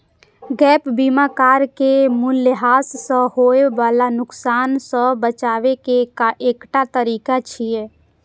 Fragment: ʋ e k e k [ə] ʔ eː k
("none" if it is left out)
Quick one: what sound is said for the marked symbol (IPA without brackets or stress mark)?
a